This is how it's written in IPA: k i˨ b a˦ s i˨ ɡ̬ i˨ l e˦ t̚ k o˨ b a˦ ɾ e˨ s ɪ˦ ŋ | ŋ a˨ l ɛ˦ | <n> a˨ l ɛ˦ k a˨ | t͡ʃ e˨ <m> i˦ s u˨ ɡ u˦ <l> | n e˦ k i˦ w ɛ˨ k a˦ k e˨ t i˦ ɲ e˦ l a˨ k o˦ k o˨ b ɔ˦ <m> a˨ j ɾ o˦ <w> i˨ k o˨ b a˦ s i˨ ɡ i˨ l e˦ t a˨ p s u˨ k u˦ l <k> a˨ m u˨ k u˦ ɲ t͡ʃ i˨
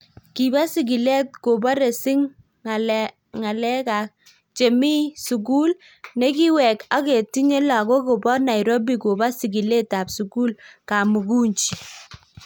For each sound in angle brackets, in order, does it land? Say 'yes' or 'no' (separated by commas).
no, yes, yes, no, no, yes